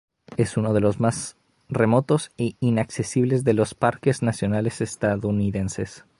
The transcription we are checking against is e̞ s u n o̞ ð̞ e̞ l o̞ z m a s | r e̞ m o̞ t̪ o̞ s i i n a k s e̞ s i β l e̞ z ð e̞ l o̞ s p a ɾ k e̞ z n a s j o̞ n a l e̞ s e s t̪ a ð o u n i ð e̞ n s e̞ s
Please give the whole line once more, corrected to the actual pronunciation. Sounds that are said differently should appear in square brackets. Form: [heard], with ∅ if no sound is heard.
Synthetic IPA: e̞ s u n o̞ ð̞ e̞ l o̞ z m a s | r e̞ m o̞ t̪ o̞ s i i n a k s e̞ s i β l e̞ z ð e̞ l o̞ s p a ɾ k e̞ z n a s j o̞ n a l e̞ s e s t̪ a ð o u n i ð e̞ n s e̞ s